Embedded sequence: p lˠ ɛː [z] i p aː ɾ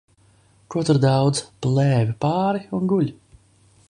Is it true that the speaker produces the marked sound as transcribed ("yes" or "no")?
no